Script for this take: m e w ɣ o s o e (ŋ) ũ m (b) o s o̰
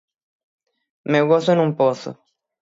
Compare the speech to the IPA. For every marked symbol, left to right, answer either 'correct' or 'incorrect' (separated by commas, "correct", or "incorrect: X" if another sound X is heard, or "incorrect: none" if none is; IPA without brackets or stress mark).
incorrect: n, incorrect: p